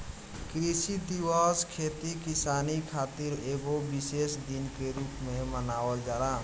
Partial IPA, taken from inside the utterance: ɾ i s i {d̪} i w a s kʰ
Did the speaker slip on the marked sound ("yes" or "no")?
no